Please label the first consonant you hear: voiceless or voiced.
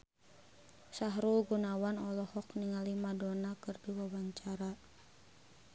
voiceless